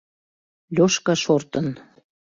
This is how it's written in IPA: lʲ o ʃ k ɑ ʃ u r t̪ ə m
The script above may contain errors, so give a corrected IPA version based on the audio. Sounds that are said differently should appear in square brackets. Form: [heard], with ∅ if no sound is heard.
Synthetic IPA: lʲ o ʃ k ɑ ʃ [o] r t̪ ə [n]